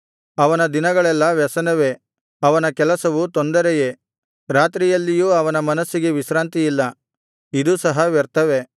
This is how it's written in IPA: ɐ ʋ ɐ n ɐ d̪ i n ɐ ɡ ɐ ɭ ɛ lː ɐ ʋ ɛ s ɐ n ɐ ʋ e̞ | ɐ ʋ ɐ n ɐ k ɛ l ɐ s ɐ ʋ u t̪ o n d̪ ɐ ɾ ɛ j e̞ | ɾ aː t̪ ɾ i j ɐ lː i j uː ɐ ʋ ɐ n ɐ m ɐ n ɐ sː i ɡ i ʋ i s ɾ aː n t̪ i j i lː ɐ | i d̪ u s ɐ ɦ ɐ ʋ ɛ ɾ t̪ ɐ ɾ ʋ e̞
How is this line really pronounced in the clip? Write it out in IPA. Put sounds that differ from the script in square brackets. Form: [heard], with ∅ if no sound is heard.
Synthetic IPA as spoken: ɐ ʋ ɐ n ɐ d̪ i n ɐ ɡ ɐ ɭ ɛ lː ɐ ʋ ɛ s ɐ n ɐ ʋ e̞ | ɐ ʋ ɐ n ɐ k ɛ l ɐ s ɐ ʋ u t̪ o n d̪ ɐ ɾ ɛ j e̞ | ɾ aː t̪ ɾ i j ɐ lː i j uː ɐ ʋ ɐ n ɐ m ɐ n ɐ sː i ɡ [e] ʋ i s ɾ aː n t̪ i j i lː ɐ | i d̪ u s ɐ ɦ ɐ ʋ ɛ ɾ t̪ ɐ [∅] ʋ e̞